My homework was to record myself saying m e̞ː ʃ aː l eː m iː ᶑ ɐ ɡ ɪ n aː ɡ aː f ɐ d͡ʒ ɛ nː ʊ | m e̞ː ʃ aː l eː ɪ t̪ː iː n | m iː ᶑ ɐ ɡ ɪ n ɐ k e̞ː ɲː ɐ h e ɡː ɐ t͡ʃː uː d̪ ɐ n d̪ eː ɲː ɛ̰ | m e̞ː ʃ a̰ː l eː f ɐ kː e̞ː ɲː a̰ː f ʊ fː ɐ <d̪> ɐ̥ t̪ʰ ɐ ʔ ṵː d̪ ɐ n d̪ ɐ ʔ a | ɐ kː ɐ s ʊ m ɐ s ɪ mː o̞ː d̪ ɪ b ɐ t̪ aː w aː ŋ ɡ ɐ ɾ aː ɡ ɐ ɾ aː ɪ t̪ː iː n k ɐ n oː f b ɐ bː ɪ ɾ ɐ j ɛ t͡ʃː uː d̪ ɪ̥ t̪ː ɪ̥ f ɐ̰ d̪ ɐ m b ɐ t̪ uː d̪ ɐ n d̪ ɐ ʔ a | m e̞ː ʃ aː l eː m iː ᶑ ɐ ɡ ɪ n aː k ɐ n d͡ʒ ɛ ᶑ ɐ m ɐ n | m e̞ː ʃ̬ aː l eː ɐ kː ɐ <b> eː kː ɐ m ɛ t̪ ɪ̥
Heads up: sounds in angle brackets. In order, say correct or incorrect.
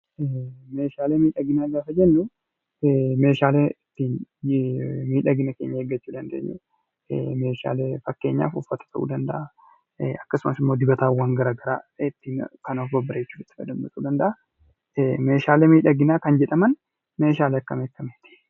incorrect: t̪, incorrect: m

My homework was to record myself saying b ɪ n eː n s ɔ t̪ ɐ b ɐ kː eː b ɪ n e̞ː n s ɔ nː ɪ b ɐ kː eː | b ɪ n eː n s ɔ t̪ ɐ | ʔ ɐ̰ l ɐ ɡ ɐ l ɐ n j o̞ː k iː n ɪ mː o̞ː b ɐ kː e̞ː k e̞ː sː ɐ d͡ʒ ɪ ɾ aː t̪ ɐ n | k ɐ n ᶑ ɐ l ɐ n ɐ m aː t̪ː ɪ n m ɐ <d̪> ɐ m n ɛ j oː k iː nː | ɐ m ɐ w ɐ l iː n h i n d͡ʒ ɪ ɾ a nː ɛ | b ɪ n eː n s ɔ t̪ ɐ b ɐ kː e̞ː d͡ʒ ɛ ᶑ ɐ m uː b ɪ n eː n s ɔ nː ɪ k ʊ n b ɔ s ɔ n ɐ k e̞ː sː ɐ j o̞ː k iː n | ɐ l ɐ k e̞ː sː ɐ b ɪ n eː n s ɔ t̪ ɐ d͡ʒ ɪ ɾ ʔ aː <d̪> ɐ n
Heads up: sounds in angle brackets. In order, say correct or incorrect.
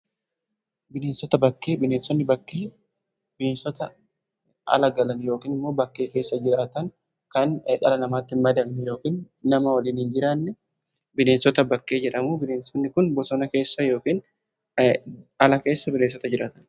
correct, incorrect: t̪

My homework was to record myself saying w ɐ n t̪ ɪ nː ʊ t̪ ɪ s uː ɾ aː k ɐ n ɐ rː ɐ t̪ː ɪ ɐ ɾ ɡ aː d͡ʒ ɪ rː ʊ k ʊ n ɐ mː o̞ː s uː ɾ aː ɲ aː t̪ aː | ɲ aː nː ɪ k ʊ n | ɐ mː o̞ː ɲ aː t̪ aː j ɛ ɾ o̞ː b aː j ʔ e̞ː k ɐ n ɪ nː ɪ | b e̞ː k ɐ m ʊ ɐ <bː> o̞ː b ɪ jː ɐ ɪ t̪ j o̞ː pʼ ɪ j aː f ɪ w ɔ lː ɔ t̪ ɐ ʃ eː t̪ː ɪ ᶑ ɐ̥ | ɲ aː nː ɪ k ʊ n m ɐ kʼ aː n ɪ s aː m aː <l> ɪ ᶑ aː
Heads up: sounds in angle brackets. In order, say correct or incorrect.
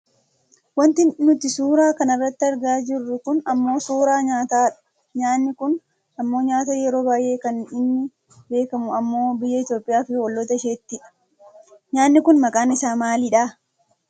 incorrect: mː, correct

